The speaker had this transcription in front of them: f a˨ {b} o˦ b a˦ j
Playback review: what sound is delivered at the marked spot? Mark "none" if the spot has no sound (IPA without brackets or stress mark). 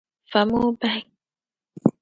m